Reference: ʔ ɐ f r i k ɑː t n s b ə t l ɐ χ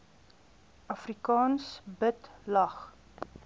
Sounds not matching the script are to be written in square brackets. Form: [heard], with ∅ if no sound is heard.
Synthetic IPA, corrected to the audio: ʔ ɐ f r i k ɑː [∅] n s b ə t l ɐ χ